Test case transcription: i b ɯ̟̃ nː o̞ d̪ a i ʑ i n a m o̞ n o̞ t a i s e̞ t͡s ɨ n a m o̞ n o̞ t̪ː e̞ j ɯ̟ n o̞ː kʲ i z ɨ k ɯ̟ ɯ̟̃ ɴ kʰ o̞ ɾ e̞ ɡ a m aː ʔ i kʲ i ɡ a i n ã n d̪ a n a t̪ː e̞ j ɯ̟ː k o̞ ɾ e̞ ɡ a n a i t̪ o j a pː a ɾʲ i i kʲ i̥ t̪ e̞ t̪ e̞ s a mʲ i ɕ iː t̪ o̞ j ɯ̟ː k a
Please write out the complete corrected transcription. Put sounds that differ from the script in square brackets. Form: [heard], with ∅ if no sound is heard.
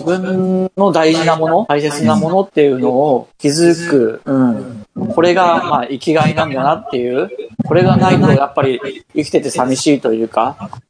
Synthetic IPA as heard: i b ɯ̟̃ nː o̞ d̪ a i ʑ i n a m o̞ n o̞ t a i s e̞ t͡s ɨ n a m o̞ n o̞ t̪ː e̞ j ɯ̟ n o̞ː kʲ i z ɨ k ɯ̟ ɯ̟̃ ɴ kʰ o̞ ɾ e̞ ɡ a m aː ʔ i kʲ i ɡ a i n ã n d̪ a n a t̪ː e̞ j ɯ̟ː k o̞ ɾ e̞ ɡ a n a i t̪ o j a pː a ɾʲ i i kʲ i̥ t̪ e̞ t̪ e̞ s a mʲ i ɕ iː t̪ o̞ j ɯ̟ː k a